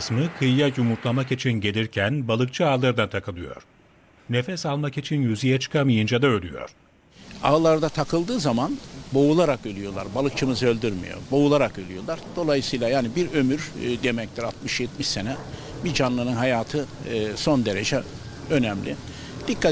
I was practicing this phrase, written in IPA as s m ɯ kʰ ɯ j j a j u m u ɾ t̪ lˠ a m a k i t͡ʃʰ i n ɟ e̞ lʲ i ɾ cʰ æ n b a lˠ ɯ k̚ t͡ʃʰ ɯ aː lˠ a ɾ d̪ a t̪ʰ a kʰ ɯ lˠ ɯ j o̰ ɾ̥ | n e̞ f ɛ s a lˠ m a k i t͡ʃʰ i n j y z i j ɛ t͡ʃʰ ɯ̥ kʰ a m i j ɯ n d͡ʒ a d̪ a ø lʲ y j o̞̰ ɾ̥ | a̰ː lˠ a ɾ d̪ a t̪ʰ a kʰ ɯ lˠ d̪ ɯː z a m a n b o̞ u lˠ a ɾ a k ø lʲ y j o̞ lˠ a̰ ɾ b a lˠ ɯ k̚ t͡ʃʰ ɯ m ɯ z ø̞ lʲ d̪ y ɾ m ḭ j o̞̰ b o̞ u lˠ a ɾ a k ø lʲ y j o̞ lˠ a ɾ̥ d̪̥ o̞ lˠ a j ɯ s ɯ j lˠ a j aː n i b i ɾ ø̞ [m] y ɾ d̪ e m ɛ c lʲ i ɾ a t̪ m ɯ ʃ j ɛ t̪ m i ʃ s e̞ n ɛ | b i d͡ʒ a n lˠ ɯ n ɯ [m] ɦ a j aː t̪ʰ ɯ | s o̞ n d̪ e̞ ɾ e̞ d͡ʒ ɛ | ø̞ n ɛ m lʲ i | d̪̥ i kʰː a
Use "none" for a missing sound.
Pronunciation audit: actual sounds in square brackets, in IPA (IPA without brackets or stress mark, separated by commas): m, n